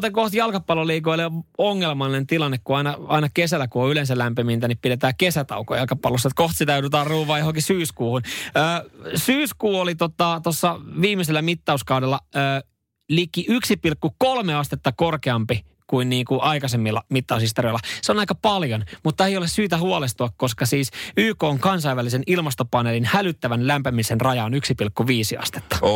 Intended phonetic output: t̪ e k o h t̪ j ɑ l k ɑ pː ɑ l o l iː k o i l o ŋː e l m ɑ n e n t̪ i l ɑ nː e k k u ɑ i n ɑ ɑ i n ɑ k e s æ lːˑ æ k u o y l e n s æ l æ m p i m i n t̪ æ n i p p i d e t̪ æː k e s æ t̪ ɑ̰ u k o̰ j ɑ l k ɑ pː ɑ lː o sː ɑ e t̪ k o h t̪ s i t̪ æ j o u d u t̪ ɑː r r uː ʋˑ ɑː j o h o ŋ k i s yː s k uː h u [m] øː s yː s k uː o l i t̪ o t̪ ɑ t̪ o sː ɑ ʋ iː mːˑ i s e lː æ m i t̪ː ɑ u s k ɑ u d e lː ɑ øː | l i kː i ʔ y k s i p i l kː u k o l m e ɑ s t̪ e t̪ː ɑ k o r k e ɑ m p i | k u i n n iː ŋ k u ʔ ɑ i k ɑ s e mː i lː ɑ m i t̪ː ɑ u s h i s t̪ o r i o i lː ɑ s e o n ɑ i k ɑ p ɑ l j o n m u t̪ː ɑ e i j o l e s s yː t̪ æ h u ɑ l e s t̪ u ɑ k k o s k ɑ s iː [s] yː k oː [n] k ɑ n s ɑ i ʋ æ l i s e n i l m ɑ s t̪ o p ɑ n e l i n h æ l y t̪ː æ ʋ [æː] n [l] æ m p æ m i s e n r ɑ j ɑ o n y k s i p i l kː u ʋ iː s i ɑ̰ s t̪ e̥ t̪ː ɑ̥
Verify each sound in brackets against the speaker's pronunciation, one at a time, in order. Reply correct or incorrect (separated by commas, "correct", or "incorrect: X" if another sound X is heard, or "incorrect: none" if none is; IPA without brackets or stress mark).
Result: incorrect: n, correct, incorrect: ŋ, incorrect: æ, correct